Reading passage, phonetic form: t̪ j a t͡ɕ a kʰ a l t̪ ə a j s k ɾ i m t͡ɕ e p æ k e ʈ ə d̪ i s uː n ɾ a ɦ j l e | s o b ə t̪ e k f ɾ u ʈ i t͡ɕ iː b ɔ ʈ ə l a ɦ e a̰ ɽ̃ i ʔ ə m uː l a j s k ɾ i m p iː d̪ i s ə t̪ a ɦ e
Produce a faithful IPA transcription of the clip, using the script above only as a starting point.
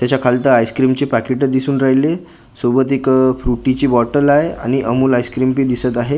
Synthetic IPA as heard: t̪ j a t͡ɕ a kʰ a l t̪ ə a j s k ɾ i m t͡ɕ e p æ k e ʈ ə d̪ i s uː n ɾ a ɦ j l e | s o b ə t̪ e k f ɾ u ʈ i t͡ɕ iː b ɔ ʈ ə l a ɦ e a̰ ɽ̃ i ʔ ə m uː l a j s k ɾ i m p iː d̪ i s ə t̪ a ɦ e